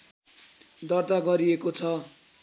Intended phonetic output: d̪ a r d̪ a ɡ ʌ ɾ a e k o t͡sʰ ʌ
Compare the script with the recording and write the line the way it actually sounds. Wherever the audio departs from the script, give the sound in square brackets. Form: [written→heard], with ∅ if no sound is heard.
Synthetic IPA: d̪ [a→ʌ] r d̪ a ɡ ʌ ɾ [a→i] e k o t͡sʰ ʌ